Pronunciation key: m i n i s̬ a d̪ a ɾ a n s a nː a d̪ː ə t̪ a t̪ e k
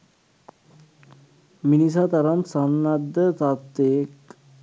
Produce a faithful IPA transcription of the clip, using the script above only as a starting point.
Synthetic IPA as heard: m i n i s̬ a t̪ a ɾ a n s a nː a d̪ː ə t̪ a t̪ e k